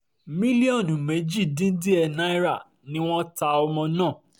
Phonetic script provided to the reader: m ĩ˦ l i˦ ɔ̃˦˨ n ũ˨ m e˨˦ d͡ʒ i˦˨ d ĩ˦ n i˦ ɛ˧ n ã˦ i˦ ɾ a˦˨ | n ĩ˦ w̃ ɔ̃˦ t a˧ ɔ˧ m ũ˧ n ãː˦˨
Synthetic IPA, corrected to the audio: m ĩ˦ l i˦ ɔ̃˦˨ n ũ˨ m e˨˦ d͡ʒ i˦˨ d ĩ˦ d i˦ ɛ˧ n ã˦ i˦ ɾ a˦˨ | n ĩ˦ w̃ ɔ̃˦ t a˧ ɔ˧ m ɔ̃˧ n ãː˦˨